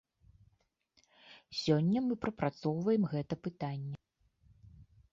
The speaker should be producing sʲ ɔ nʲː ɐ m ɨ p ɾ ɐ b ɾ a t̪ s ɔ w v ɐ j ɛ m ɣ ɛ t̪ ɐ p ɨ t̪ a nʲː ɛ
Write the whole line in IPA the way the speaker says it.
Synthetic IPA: sʲ ɔ nʲː ɐ m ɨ p ɾ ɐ p ɾ a t̪ s ɔ w v ɐ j ɛ m ɣ ɛ t̪ ɐ p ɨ t̪ a nʲː ɛ